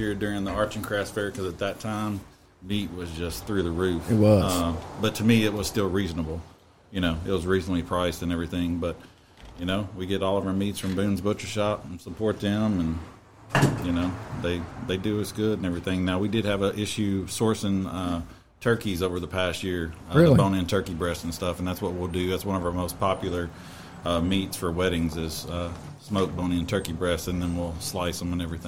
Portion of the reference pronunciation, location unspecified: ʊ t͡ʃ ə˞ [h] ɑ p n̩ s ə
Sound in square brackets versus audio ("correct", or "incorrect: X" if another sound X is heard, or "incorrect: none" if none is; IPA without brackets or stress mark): incorrect: ʃ